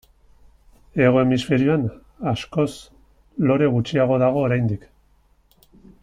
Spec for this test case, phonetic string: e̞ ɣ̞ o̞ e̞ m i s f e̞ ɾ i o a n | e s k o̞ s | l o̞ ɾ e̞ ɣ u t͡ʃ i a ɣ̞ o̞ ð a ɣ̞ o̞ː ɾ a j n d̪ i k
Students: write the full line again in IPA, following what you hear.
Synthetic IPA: e̞ ɣ̞ o̞ e̞ m i s f e̞ ɾ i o a n | a s k o̞ s | l o̞ ɾ e̞ ɣ u t͡ʃ i a ɣ̞ o̞ ð a ɣ̞ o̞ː ɾ a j n d̪ i k